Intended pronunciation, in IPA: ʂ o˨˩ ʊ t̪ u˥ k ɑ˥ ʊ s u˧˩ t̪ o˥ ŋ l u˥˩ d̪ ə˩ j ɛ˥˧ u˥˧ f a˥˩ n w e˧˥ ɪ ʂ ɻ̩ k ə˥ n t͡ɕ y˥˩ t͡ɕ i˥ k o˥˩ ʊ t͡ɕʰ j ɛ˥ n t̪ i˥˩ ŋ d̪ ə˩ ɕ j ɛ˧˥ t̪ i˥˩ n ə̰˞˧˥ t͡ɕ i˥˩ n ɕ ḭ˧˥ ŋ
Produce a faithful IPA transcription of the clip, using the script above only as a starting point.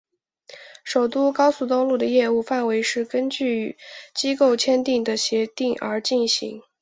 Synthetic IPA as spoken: ʂ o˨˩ ʊ t̪ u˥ k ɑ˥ ʊ s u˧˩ t̪ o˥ ŋ l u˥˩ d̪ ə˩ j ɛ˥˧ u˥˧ f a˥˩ n w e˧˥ ɪ ʂ ɻ̩ k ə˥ n t͡ɕ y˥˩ t͡ɕ i˥ k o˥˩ ʊ t͡ɕʰ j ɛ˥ n t̪ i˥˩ ŋ d̪ ə˩ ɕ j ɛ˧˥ t̪ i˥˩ ŋ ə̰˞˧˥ t͡ɕ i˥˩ n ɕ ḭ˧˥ ŋ